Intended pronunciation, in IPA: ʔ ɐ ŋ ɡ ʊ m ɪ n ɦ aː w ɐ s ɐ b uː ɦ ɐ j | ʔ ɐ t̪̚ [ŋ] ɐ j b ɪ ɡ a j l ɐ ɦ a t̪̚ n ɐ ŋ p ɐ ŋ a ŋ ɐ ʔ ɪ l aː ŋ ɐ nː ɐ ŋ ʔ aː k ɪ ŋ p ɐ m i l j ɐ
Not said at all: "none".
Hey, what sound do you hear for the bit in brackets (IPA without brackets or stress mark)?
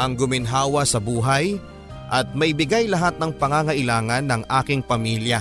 m